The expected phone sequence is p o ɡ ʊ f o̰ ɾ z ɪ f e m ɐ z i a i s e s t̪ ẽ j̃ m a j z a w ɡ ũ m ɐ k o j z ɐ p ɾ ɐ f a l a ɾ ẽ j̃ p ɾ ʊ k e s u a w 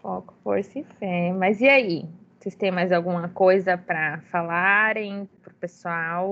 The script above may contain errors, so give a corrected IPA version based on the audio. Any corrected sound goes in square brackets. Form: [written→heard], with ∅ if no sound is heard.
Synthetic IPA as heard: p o [ɡ→k] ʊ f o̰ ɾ [z→s] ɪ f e m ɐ z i a i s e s t̪ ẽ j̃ m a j z a w ɡ ũ m ɐ k o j z ɐ p ɾ ɐ f a l a ɾ ẽ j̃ p ɾ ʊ [k→p] e s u a w